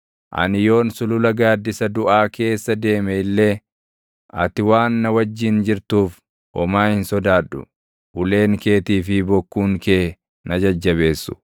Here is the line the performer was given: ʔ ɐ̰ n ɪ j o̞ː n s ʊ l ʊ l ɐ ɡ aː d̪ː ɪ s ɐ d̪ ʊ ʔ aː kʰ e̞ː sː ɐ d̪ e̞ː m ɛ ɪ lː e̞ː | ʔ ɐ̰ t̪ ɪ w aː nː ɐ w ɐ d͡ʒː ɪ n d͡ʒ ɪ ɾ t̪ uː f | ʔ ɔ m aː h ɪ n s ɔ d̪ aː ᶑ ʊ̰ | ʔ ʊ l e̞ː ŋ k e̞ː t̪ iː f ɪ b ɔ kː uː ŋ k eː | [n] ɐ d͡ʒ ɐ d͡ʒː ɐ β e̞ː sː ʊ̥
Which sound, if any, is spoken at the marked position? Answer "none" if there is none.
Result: n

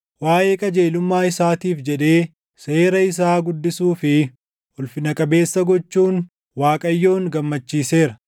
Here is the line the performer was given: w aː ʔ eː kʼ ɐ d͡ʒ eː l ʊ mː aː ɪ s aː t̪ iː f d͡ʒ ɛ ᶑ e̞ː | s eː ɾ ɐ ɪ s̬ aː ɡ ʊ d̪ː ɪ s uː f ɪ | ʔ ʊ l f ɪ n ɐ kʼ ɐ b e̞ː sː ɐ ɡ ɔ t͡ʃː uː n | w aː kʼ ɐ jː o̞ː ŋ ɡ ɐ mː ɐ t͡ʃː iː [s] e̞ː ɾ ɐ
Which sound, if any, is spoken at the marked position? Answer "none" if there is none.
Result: s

